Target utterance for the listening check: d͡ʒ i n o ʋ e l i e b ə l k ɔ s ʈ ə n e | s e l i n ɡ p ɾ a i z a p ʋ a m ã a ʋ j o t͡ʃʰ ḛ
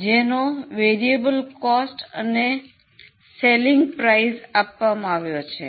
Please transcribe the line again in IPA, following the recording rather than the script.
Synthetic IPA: d͡ʒ e n o ʋ e ɾ i e b ə l k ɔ s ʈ ə n e | s e l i ŋ ɡ p ɾ a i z a p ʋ a m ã a ʋ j o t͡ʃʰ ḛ